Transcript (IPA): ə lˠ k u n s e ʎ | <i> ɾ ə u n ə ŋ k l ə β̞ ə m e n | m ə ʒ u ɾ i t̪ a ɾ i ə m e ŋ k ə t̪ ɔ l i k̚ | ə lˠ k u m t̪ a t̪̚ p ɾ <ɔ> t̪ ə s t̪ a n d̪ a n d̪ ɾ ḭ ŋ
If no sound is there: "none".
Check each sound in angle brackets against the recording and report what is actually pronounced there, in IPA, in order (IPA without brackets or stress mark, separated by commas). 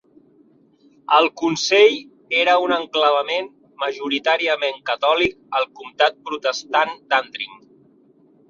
e, u